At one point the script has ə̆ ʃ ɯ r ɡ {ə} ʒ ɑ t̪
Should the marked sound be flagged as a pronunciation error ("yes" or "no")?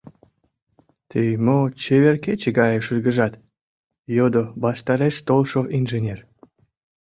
no